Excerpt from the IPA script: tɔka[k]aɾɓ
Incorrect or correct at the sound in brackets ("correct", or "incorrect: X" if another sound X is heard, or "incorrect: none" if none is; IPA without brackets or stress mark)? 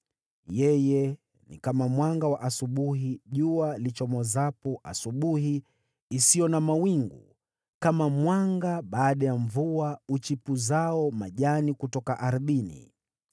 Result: incorrect: ʔ